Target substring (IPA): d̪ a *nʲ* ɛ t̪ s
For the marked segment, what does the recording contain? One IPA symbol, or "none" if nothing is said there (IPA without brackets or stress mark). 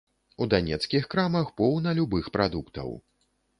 nʲ